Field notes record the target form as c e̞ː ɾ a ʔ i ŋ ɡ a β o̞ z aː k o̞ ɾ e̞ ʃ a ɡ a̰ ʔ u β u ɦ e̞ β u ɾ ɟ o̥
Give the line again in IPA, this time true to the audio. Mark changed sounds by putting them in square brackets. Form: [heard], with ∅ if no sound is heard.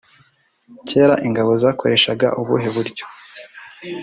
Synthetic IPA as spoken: c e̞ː ɾ a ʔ i ŋ ɡ a β o̞ z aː k o̞ ɾ e̞ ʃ a ɡ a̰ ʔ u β u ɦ e̞ β u ɾ ɟ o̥